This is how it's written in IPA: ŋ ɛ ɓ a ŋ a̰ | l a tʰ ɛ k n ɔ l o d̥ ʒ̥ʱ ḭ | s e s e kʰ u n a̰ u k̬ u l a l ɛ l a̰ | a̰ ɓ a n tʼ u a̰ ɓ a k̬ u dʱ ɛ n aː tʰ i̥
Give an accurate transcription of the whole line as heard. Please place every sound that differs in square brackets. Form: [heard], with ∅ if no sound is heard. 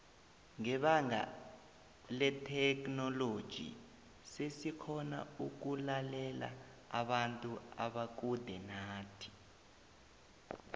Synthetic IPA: ŋ ɛ ɓ a ŋ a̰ | l [ɛ] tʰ ɛ k n ɔ l o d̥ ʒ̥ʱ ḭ | s e s [i] kʰ [ɔ] n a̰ u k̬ u l a l ɛ l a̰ | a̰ ɓ a n tʼ u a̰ ɓ a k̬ u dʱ ɛ n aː tʰ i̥